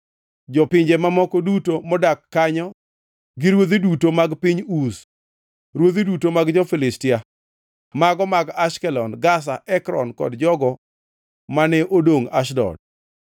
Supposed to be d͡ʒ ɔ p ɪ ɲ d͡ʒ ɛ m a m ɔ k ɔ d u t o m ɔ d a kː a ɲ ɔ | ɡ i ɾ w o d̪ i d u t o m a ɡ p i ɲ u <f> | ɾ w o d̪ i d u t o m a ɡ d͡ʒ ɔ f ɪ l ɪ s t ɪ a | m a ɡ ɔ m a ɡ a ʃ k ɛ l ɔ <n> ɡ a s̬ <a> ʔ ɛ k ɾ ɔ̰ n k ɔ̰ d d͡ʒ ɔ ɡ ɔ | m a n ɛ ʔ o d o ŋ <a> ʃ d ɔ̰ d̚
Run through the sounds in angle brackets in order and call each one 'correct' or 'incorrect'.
incorrect: s, correct, correct, correct

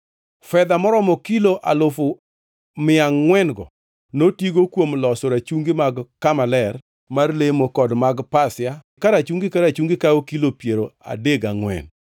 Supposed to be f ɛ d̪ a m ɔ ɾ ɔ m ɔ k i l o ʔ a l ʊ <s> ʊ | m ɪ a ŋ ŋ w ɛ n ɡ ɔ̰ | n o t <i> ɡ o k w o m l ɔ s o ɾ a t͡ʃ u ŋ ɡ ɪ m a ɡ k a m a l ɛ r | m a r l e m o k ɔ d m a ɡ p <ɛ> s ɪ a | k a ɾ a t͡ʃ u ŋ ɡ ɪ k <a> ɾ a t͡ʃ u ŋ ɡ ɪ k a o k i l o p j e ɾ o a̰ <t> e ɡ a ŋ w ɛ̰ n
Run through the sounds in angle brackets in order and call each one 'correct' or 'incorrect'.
incorrect: f, correct, incorrect: a, correct, incorrect: d

